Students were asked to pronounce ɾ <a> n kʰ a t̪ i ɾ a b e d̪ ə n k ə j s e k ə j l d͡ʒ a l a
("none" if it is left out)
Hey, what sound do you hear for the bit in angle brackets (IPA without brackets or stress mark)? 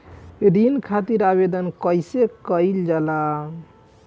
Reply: i